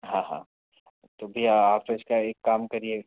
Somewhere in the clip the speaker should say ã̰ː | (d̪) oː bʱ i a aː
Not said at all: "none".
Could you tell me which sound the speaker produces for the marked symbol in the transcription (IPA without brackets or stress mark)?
t̪